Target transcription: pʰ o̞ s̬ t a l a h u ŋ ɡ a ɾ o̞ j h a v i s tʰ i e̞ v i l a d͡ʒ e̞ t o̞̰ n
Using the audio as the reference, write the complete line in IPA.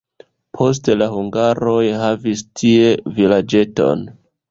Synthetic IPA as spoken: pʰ o̞ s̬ t e l a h u ŋ ɡ a ɾ o̞ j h a v i s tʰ i e̞ v i l a d͡ʒ e̞ t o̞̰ n